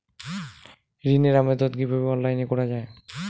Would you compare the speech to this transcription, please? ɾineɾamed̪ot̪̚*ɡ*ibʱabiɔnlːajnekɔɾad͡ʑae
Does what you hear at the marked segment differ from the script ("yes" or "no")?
no